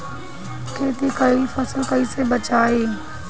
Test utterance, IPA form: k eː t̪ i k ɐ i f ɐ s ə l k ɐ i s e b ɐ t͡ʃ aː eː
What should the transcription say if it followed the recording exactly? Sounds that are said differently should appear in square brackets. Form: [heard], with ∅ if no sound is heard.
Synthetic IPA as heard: k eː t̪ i k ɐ i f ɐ s ə l k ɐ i s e b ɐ t͡ʃ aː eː